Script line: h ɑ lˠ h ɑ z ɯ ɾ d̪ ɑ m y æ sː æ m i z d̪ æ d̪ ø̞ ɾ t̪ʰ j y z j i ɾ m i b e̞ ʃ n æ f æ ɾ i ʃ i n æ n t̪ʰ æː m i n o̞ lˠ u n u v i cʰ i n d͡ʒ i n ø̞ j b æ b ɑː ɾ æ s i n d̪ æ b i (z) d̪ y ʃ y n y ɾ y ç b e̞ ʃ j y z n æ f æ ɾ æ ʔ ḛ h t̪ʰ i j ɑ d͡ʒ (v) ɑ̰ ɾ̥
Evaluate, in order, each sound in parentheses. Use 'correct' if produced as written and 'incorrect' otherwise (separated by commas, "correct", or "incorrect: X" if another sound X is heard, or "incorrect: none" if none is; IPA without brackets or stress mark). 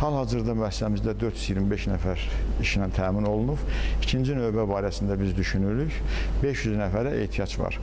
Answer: correct, correct